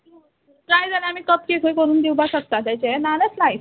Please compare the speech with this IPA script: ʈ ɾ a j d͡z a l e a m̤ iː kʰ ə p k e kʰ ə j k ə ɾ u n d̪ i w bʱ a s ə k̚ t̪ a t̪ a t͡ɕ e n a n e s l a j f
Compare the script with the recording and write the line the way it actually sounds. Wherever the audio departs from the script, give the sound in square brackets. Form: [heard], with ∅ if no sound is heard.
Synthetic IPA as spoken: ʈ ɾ a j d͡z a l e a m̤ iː [k] ə p k e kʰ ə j k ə ɾ [uː] n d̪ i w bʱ a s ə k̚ t̪ a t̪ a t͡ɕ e n a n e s l a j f